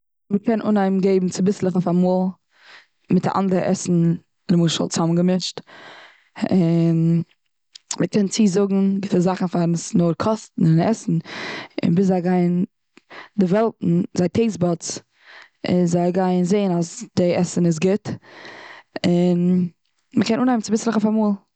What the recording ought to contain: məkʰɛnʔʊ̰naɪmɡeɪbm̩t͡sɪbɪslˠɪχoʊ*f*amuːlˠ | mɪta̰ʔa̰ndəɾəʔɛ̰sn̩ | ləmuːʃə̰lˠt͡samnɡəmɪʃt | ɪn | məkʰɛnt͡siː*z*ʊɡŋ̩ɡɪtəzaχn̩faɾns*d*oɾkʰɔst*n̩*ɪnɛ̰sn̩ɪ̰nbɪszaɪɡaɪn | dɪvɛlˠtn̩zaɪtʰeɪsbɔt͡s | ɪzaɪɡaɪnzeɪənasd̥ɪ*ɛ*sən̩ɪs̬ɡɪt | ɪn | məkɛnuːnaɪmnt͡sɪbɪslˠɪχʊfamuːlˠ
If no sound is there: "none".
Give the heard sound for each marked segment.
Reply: f, z, n, n̩, ɛ

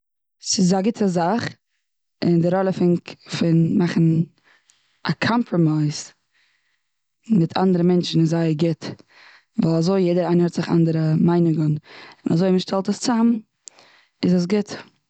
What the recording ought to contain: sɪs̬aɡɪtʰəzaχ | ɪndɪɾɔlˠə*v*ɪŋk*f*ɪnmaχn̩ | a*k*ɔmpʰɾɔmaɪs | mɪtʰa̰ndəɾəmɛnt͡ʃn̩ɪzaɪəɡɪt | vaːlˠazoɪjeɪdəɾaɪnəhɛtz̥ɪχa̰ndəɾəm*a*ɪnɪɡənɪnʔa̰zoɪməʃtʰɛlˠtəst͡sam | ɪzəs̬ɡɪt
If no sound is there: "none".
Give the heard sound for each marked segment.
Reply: f, f, kʰ, a

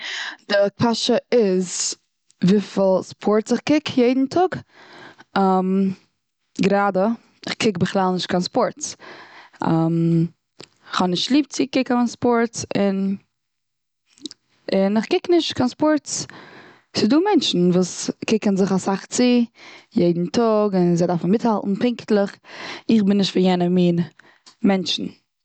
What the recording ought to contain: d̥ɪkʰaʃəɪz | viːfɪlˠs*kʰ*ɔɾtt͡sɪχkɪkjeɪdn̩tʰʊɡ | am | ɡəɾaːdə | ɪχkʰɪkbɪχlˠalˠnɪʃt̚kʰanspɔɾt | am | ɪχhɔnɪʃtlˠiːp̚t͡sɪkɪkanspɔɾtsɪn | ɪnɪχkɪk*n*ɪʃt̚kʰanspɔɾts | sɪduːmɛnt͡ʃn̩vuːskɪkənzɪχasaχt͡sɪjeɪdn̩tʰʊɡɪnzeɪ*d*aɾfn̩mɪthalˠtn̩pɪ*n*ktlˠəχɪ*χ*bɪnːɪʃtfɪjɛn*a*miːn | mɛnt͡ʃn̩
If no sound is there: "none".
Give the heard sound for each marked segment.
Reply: pʰ, n, d, ŋ, χ, ə

